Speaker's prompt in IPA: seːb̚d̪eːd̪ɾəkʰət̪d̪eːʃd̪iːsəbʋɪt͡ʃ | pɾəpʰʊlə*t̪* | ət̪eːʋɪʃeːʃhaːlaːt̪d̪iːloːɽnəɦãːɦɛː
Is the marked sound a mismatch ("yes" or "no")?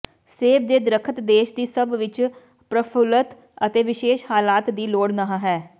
no